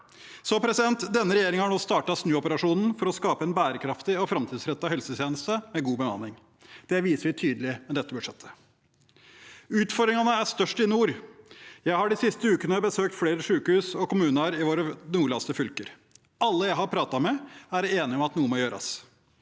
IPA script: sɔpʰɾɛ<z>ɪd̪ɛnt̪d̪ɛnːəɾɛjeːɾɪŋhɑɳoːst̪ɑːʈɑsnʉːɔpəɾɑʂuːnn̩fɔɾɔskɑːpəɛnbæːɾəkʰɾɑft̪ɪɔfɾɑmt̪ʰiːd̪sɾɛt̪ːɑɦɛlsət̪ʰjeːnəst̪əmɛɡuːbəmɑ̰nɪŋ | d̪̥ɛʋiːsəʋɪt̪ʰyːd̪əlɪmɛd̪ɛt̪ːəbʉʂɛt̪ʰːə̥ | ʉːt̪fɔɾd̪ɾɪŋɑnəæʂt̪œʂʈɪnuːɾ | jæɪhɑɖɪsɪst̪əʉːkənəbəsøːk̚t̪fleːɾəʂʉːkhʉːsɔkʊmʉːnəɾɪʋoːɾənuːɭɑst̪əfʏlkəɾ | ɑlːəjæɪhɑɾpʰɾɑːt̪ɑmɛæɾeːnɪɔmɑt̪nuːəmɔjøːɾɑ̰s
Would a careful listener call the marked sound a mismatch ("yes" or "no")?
yes